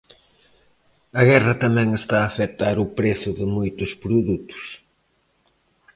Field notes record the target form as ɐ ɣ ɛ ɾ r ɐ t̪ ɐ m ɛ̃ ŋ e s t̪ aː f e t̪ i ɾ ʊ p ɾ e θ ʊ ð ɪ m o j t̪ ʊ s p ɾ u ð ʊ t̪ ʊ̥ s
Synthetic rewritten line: ɐ ɣ ɛ r ɐ t̪ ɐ m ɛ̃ ŋ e s t̪ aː f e t̪ a ɾ ʊ p ɾ e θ ʊ ð ɪ m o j t̪ ʊ s p ɾ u ð u t̪ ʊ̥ s